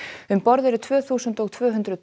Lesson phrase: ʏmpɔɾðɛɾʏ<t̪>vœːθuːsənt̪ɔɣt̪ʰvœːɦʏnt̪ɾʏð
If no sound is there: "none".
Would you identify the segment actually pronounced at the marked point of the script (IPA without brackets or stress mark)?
t̪ʰ